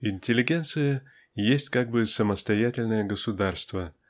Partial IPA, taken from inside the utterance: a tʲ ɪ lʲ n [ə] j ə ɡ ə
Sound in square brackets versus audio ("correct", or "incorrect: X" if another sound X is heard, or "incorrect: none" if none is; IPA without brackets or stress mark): correct